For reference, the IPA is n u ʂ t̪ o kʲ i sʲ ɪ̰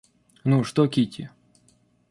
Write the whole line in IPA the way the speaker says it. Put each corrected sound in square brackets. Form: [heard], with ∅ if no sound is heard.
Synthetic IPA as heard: n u ʂ t̪ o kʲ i [tʲ] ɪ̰